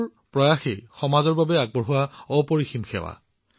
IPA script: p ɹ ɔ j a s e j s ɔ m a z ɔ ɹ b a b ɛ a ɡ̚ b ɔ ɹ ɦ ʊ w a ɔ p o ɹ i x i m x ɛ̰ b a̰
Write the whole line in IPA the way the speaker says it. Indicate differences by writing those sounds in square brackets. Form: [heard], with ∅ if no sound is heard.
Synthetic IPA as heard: p ɹ ɔ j a [x] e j [x] ɔ m a z ɔ ɹ b a b ɛ a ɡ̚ b ɔ ɹ ɦ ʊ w a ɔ p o ɹ i x i m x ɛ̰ [w] a̰